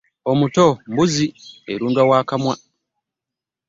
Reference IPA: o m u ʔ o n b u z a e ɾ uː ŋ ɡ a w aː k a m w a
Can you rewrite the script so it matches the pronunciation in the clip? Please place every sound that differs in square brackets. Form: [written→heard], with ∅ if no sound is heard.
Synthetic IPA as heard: o m u [ʔ→t] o [n→m] b u z [a→i] e ɾ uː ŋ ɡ a w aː k a m w a